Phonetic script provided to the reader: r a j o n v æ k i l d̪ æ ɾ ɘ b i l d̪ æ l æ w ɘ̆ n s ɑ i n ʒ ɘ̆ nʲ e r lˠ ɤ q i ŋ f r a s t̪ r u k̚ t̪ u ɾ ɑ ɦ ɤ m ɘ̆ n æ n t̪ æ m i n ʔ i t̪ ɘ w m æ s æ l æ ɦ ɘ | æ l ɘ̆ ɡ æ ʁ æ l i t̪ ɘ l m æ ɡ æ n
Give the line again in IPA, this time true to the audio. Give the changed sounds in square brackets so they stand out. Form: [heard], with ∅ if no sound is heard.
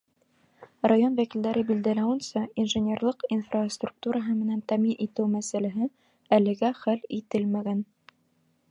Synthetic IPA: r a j o n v æ k i l d̪ æ ɾ ɘ b i l d̪ æ l æ w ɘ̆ n s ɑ i n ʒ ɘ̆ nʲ e r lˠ ɤ q i [n] f r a s t̪ r u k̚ t̪ u ɾ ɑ ɦ ɤ m ɘ̆ n æ n t̪ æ m i n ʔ i t̪ ɘ w m æ s æ l æ ɦ ɘ | æ l ɘ̆ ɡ æ [χ] æ l i t̪ ɘ l m æ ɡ æ n